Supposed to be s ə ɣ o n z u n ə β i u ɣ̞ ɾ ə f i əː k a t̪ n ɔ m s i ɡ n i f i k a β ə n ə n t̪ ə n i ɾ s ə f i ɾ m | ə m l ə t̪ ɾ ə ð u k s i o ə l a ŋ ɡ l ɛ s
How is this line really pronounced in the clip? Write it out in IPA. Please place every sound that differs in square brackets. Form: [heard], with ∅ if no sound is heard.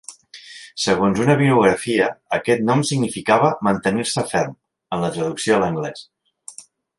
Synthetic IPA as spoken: s ə ɣ o n z u n ə β i u ɣ̞ ɾ ə f i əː k [ɛ] t̪ n ɔ m s i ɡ n i f i k a β ə [m] ə n t̪ ə n i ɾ s ə f [ɛ] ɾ m | ə [n] l ə t̪ ɾ ə ð u k s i o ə l [ə] ŋ ɡ l ɛ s